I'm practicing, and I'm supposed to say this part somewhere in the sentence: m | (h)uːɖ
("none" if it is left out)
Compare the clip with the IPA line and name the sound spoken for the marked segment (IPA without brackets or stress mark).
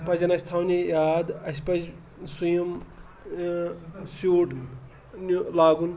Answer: s